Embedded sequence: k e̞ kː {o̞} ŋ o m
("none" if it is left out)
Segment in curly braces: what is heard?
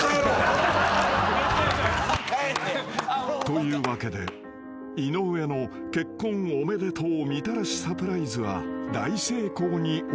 õ̞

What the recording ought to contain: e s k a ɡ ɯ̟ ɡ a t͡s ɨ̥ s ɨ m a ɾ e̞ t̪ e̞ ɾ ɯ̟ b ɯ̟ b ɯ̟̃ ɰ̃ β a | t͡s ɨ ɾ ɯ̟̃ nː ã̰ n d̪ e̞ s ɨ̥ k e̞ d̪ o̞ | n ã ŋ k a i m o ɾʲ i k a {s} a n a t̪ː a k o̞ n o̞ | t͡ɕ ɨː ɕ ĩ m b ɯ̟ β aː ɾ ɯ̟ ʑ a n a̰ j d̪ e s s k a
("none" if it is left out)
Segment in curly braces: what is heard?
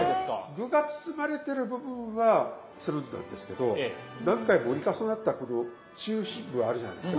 s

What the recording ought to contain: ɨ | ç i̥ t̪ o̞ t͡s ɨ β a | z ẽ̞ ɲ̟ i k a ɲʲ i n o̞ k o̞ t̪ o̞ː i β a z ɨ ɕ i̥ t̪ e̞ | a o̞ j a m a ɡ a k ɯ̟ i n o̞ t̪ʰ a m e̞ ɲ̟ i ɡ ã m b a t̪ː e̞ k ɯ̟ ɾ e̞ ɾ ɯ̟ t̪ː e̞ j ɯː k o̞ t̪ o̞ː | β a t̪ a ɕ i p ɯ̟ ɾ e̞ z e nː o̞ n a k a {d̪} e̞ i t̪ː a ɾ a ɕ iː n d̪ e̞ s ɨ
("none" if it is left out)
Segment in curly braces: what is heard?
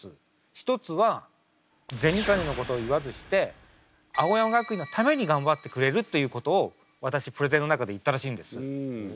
d̪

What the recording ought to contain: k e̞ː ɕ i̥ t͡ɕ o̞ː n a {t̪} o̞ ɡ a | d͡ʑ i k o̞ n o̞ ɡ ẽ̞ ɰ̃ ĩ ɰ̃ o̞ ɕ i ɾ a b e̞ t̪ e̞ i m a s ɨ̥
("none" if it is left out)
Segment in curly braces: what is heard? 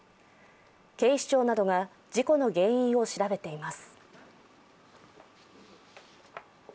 d̪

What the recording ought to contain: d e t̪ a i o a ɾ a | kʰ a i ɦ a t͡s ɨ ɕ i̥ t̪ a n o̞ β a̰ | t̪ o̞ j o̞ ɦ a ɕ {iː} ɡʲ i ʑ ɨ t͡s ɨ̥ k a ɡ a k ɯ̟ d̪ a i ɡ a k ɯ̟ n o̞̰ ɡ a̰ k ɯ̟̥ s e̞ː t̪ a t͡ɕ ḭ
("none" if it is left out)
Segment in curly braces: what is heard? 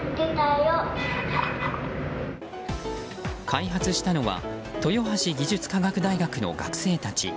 i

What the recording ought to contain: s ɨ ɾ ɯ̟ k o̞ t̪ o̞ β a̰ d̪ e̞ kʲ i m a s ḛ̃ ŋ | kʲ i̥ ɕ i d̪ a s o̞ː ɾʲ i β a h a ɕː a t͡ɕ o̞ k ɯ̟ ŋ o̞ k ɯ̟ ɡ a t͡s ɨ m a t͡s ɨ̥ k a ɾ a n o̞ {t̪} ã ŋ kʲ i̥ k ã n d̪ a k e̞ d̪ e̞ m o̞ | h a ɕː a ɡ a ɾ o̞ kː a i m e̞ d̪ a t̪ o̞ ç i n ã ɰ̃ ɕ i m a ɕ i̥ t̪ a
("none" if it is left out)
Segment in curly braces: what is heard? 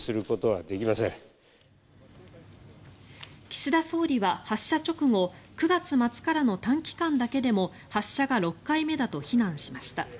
t̪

